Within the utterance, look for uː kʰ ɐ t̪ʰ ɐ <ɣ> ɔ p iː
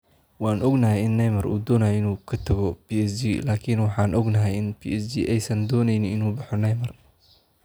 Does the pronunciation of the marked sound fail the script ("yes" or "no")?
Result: no